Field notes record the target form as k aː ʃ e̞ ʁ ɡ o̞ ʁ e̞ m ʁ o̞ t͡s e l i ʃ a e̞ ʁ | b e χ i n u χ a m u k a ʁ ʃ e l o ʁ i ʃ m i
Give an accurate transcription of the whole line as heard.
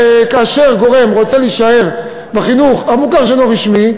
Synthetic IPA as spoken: k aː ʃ e̞ ʁ ɡ o̞ ʁ e̞ m ʁ o̞ t͡s e l i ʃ a e̞ ʁ | b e χ i n u χ a m u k a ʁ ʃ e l o ʁ i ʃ m i